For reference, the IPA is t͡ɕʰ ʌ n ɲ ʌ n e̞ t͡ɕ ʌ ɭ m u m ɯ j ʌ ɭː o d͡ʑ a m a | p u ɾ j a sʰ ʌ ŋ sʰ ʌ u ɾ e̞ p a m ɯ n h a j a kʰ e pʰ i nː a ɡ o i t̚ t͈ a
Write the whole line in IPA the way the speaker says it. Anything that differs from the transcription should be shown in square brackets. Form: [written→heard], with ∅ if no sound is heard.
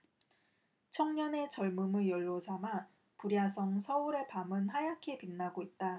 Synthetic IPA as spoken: t͡ɕʰ ʌ [n→ŋ] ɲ ʌ n e̞ t͡ɕ ʌ ɭ m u m ɯ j ʌ ɭː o d͡ʑ a m a | p u ɾ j a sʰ ʌ ŋ sʰ ʌ u ɾ e̞ p a m ɯ n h a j a kʰ e [pʰ→p] i nː a ɡ o i t̚ t͈ a